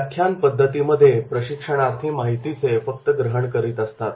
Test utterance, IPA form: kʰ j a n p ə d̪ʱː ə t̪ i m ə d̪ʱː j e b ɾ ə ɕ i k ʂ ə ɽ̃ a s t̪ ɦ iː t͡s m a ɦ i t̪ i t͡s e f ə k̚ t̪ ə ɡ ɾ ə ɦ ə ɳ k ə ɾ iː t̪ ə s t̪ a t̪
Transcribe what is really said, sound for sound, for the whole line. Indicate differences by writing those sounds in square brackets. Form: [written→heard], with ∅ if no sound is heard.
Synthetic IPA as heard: kʰ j a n p ə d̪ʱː ə t̪ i m ə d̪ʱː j e [b→p] ɾ ə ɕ i k ʂ ə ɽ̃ a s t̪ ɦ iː [t͡s→∅] m a ɦ i t̪ i t͡s e f ə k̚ t̪ ə ɡ ɾ ə ɦ ə ɳ k ə ɾ iː t̪ ə s t̪ a t̪

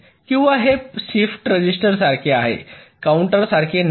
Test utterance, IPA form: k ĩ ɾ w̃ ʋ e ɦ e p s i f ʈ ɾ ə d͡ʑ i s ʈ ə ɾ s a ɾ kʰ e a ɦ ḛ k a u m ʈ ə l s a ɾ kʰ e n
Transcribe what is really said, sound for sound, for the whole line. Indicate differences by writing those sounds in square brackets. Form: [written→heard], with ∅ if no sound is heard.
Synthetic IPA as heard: k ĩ [ɾ→∅] w̃ ʋ [e→a] ɦ e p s i f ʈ ɾ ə d͡ʑ i s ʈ ə ɾ s a ɾ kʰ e a ɦ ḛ k a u [m→ɳ] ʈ ə [l→ɾ] s a ɾ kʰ e n

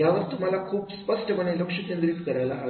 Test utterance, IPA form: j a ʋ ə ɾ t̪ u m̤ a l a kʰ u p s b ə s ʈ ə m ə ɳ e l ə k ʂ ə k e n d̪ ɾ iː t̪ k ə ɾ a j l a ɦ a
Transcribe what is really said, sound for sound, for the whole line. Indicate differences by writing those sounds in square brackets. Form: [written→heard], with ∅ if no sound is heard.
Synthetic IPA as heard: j a ʋ ə ɾ t̪ u m̤ a l a kʰ [u→uː] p s [b→p] ə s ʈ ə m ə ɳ e l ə k ʂ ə k e n d̪ ɾ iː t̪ k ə ɾ a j l a ɦ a

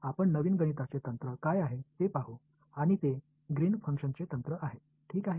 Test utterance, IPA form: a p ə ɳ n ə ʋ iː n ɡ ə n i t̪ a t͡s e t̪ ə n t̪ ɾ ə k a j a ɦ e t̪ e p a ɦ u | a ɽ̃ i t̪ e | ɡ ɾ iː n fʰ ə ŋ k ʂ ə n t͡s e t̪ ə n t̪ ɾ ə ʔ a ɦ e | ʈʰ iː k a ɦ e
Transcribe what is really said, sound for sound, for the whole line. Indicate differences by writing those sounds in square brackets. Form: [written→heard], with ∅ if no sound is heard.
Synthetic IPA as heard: a p ə ɳ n ə ʋ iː n ɡ ə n i t̪ a t͡s e t̪ ə n t̪ ɾ ə k a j a ɦ e t̪ e p a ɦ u | a ɽ̃ i t̪ e | ɡ ɾ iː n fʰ ə ŋ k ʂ ə n t͡s e t̪ ə n t̪ ɾ ə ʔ a ɦ e | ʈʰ iː k a ɦ e

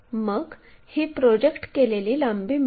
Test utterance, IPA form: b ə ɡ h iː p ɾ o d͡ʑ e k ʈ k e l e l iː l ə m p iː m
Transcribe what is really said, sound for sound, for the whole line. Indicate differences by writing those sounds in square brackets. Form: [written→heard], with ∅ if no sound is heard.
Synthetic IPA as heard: [b→m] ə ɡ h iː p ɾ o d͡ʑ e k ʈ k e l e l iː l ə m [p→b] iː m

